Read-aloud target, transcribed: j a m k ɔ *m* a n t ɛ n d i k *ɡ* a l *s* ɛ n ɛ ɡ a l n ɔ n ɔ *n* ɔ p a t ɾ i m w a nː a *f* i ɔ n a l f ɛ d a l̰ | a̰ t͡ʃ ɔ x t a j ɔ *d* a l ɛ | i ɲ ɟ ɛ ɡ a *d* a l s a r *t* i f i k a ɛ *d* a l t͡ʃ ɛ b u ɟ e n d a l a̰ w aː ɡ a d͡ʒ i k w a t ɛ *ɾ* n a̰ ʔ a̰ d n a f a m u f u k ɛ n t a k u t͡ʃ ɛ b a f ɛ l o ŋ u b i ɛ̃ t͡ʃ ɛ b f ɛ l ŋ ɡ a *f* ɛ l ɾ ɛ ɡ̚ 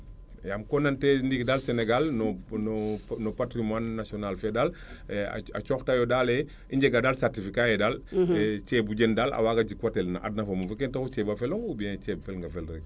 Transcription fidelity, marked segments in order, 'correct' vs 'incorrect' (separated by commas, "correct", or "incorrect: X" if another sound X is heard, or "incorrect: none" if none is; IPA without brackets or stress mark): incorrect: n, incorrect: d, correct, correct, incorrect: s, correct, correct, correct, correct, incorrect: l, correct